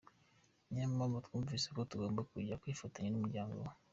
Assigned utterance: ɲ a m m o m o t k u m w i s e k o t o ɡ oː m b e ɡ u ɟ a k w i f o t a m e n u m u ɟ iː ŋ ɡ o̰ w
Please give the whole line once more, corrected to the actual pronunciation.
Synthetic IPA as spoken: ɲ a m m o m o t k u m v i s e k o t u ɡ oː m b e k u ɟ a k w i f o t a ɲ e n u m u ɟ aː ŋ ɡ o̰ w